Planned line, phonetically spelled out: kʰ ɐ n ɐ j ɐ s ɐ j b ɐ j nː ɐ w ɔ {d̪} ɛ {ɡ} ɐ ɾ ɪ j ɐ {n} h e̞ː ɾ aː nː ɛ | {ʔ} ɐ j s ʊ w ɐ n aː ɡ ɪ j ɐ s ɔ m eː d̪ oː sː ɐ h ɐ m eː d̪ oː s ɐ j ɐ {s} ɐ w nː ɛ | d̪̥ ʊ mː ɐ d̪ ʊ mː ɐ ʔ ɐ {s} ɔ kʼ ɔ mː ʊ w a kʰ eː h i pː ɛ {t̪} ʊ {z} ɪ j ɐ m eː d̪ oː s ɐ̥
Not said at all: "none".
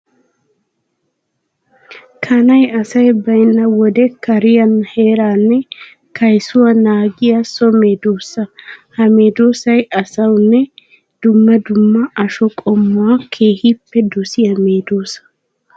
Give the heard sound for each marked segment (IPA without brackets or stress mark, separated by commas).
d̪, k, n, k, s, ʃ, d̪, s